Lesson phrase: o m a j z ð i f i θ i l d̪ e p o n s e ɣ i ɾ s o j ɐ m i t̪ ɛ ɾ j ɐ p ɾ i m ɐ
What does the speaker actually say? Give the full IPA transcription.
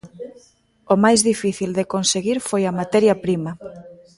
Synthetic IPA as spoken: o m a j z ð i f i θ i l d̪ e k o n s e ɣ i ɾ f o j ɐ m a t̪ ɛ ɾ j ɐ p ɾ i m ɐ